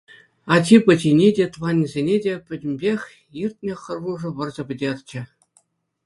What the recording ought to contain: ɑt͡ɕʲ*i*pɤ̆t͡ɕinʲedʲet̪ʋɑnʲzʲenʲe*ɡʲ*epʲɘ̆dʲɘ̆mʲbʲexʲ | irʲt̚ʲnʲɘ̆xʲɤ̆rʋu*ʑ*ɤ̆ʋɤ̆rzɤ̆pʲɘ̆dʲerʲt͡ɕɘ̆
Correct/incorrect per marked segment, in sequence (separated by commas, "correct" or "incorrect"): correct, incorrect, incorrect